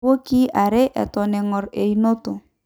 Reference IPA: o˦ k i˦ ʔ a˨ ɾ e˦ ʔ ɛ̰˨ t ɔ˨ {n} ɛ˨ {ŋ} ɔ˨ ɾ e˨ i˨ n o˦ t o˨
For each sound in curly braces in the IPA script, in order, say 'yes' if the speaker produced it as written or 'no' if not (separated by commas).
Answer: yes, yes